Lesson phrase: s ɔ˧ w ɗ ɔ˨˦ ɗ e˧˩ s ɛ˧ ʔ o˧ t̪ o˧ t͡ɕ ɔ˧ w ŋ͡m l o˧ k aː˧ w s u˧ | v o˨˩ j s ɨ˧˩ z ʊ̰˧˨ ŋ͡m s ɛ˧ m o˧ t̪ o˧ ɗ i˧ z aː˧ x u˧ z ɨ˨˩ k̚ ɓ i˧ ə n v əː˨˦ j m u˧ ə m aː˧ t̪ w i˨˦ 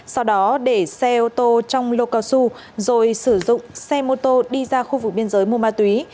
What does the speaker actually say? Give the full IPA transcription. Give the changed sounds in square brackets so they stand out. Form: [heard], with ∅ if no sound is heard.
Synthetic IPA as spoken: s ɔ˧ w ɗ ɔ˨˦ ɗ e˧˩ s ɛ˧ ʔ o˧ t̪ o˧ t͡ɕ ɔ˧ w ŋ͡m l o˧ k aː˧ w s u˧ | [z] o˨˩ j s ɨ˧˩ z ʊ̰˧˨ ŋ͡m s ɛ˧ m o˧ t̪ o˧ ɗ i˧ z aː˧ x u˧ [v] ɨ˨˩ k̚ ɓ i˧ ə n [z] əː˨˦ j m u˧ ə m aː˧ t̪ w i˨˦

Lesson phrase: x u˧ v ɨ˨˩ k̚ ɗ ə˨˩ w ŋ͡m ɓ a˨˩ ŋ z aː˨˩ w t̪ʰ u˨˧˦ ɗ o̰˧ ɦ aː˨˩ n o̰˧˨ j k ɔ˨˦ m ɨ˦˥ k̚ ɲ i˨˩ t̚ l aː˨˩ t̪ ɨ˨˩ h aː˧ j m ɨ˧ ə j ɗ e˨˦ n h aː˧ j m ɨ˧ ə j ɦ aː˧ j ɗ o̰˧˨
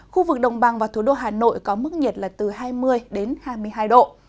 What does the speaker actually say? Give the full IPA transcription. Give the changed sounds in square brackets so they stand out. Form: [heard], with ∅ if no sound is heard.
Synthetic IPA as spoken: x u˧ v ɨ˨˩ k̚ ɗ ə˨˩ w ŋ͡m ɓ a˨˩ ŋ [v] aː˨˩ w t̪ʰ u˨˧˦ ɗ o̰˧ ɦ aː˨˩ n o̰˧˨ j k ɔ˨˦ m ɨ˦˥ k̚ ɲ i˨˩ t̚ l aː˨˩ t̪ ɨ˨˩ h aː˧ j m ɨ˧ ə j ɗ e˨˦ n h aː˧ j m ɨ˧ ə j ɦ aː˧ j ɗ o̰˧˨

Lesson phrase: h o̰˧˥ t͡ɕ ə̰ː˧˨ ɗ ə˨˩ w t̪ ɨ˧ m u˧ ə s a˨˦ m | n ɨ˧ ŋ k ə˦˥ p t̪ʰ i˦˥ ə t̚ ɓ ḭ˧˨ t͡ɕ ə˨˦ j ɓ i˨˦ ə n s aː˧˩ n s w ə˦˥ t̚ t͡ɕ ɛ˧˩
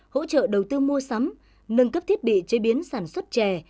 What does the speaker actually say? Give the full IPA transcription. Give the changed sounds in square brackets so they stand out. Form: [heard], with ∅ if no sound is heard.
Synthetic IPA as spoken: h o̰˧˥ t͡ɕ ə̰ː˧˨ ɗ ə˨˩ w t̪ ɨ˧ m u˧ ə s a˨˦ m | n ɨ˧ ŋ k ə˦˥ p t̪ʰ i˦˥ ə t̚ ɓ ḭ˧˨ t͡ɕ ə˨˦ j ɓ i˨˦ ə n s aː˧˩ n s w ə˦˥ t̚ t͡ɕ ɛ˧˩

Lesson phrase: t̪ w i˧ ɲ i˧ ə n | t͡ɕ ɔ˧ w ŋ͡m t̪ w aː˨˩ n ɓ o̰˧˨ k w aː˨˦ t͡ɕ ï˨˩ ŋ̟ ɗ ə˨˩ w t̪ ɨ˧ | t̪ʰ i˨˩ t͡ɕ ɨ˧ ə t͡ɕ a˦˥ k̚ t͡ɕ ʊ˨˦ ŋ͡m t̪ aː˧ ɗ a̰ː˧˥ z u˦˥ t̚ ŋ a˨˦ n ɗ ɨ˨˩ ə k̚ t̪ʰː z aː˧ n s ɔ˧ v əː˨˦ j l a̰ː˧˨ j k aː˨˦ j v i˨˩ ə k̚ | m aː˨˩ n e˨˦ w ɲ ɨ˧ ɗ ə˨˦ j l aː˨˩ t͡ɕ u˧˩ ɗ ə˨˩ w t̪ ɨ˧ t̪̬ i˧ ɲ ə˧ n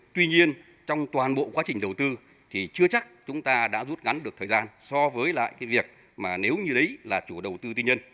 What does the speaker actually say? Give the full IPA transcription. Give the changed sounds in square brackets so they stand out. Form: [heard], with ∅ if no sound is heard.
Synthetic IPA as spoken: t̪ w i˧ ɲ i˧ ə n | t͡ɕ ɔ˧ w ŋ͡m t̪ w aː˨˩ n ɓ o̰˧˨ k w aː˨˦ t͡ɕ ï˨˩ ŋ̟ ɗ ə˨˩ w t̪ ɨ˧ | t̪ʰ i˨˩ t͡ɕ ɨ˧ ə t͡ɕ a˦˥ k̚ t͡ɕ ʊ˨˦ ŋ͡m t̪ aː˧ ɗ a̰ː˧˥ z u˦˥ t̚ ŋ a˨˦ n ɗ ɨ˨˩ ə k̚ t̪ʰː z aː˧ n s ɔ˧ v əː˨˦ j l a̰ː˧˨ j k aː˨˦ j v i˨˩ ə k̚ | m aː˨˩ n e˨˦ w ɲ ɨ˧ ɗ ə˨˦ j l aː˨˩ t͡ɕ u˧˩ ɗ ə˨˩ w t̪ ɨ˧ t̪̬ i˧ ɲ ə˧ n

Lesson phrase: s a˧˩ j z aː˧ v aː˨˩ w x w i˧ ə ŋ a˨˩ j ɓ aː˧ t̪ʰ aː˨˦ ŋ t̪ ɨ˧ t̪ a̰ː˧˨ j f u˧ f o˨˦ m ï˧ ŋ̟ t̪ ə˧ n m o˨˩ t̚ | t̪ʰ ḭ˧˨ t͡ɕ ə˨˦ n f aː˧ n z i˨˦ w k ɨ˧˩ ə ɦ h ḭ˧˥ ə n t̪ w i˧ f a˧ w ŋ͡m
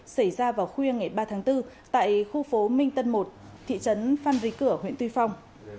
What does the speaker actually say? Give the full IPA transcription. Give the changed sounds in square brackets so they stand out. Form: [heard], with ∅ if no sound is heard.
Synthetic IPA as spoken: s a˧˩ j z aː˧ v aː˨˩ w x w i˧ ə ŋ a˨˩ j ɓ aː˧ t̪ʰ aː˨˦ ŋ t̪ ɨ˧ t̪ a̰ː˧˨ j [x] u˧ f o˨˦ m ï˧ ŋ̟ t̪ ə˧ n m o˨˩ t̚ | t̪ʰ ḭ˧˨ t͡ɕ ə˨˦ n f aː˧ n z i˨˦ [∅] k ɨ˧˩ ə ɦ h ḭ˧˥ ə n t̪ w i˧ f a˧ w ŋ͡m

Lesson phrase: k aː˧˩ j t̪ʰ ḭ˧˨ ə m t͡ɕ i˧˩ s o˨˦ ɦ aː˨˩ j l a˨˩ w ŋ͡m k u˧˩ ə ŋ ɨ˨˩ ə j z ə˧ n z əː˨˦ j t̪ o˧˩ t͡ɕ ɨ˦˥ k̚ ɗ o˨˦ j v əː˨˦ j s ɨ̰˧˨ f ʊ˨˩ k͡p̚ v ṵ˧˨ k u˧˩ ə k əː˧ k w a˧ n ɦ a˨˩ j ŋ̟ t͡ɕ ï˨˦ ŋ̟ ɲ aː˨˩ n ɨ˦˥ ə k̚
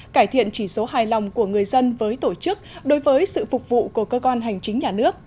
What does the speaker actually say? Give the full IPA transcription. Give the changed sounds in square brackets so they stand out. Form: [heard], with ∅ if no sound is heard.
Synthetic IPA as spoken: k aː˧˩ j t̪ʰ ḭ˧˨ ə [n] t͡ɕ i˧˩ s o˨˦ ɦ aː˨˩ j l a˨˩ w ŋ͡m k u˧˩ ə ŋ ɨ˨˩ ə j z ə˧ n [v] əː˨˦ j t̪ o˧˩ t͡ɕ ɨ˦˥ k̚ ɗ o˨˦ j v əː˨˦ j s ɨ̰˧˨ f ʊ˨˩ k͡p̚ v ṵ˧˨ k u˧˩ ə k əː˧ k w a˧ n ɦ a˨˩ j ŋ̟ t͡ɕ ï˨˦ ŋ̟ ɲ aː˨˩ n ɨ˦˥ ə k̚

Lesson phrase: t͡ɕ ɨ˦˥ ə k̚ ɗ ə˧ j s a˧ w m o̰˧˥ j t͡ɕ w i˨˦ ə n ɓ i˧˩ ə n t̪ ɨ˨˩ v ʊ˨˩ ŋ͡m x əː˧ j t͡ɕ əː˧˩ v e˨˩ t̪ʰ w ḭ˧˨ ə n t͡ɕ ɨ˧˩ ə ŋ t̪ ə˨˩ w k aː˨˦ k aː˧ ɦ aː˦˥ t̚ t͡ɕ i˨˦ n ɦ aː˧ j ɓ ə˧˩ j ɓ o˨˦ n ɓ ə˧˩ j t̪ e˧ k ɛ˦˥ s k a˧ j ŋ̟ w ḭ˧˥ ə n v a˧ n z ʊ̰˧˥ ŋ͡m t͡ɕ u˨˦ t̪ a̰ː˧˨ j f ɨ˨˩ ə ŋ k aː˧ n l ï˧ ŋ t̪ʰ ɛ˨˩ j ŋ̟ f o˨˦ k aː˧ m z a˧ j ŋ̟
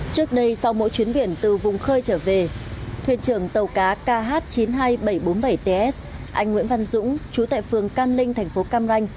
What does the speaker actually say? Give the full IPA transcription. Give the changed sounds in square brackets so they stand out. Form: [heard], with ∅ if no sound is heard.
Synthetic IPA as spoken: t͡ɕ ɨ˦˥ ə k̚ ɗ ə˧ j s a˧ w m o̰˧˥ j t͡ɕ w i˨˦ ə n ɓ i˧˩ ə n t̪ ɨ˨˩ v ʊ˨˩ ŋ͡m x əː˧ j t͡ɕ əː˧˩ v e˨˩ t̪ʰ w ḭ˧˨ ə n t͡ɕ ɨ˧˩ ə ŋ t̪ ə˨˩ w k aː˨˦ k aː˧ ɦ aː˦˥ t̚ t͡ɕ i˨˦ n ɦ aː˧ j ɓ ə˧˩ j ɓ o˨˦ n ɓ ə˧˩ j t̪ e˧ [ʔ] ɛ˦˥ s [ʔ] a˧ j ŋ̟ w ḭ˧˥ ə n v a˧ n z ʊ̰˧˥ ŋ͡m t͡ɕ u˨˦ t̪ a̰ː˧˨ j f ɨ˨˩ ə ŋ k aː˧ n l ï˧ ŋ t̪ʰ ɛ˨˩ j ŋ̟ f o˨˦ k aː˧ m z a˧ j ŋ̟

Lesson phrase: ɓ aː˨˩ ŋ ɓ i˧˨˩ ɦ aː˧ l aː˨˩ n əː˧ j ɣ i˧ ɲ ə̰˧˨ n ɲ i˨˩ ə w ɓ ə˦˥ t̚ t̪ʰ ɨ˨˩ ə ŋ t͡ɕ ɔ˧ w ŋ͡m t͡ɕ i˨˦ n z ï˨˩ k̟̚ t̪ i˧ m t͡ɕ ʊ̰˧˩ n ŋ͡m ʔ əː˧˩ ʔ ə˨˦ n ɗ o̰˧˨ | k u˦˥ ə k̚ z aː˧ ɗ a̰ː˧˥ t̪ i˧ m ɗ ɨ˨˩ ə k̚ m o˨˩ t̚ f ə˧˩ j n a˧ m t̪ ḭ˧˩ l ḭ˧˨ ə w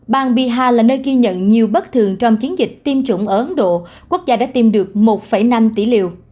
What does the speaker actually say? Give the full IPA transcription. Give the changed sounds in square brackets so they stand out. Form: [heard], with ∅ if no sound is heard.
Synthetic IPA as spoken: ɓ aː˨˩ ŋ ɓ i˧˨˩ ɦ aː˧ l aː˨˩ n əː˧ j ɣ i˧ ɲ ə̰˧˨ n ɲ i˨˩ ə w ɓ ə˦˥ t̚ t̪ʰ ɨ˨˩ ə ŋ t͡ɕ ɔ˧ w ŋ͡m t͡ɕ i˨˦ n z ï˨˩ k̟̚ t̪ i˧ m t͡ɕ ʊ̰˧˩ [∅] ŋ͡m ʔ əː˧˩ ʔ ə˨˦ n ɗ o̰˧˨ | k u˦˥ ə k̚ z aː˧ ɗ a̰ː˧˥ t̪ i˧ m ɗ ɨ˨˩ ə k̚ m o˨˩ t̚ f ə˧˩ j n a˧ m t̪ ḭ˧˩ l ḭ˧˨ ə w

